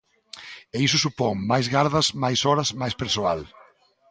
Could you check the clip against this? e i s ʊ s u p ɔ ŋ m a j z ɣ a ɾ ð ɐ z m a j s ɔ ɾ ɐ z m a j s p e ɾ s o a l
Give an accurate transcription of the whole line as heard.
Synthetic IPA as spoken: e i s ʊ s u p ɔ ŋ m a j z ɣ a ɾ ð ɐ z m a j s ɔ ɾ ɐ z m a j s p e ɾ s o a l